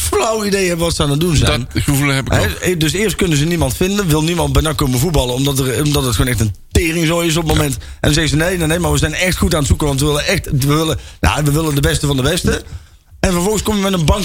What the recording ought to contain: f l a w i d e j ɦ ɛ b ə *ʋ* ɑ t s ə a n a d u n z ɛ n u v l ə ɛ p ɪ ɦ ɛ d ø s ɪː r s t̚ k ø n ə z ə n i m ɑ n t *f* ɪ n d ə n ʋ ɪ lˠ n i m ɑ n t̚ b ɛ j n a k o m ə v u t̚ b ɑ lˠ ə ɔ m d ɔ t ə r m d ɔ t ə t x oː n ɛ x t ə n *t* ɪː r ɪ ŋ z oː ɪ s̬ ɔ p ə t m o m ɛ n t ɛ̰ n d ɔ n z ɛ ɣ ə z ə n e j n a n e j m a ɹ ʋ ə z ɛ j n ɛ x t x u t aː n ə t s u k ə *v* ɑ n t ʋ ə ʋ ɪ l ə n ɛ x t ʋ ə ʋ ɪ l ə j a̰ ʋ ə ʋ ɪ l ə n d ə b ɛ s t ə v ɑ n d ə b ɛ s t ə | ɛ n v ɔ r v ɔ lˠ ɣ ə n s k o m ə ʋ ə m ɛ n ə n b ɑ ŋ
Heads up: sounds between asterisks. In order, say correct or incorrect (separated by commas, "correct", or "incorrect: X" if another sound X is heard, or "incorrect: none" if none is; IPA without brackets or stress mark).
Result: correct, correct, correct, incorrect: ʋ